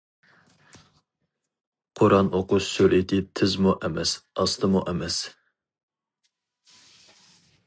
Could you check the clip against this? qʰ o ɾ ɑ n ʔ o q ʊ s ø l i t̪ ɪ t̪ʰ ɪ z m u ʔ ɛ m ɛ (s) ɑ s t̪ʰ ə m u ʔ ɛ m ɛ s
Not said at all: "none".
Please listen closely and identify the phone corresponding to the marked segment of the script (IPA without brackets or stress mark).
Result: s